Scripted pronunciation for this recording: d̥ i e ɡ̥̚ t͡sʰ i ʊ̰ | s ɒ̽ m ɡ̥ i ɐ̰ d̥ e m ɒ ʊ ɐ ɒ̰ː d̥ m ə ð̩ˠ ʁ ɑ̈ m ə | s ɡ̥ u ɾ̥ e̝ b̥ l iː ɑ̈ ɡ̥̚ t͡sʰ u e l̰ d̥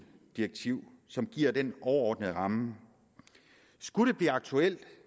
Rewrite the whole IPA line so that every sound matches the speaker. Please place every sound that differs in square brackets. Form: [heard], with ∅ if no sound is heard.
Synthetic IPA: d̥ i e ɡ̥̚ t͡sʰ i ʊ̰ | s ɒ̽ m ɡ̥ i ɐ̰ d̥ e [n] ɒ ʊ ɐ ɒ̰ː d̥ [n] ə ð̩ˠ ʁ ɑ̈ m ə | s ɡ̥ u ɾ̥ e̝ b̥ l iː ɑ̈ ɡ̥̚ t͡sʰ u e l̰ d̥